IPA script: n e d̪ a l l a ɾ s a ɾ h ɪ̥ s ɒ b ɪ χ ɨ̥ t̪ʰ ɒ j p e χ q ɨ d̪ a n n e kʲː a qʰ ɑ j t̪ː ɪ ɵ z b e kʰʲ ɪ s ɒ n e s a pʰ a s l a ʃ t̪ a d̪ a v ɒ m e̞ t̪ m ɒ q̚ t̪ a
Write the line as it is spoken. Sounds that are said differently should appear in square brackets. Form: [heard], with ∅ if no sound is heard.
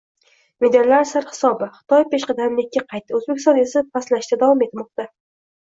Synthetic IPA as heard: [m] e d̪ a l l a ɾ s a ɾ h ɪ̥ s ɒ b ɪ χ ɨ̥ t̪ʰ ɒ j p e [ʃ] q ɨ d̪ a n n e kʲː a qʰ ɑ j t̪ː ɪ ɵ z b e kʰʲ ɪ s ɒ n e s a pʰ a s l a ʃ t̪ a d̪ a v ɒ m e̞ t̪ m ɒ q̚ t̪ a